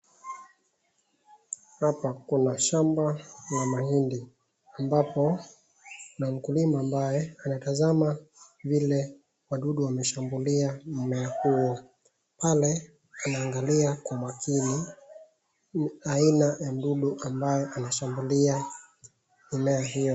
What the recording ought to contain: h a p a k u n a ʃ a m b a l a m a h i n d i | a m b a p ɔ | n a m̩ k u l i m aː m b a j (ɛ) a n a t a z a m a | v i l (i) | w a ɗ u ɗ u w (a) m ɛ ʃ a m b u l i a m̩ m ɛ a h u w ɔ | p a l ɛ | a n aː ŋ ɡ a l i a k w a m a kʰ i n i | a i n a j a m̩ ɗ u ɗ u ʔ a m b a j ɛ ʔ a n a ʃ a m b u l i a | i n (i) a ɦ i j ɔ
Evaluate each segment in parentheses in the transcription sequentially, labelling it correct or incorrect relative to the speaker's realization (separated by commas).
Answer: correct, incorrect, correct, incorrect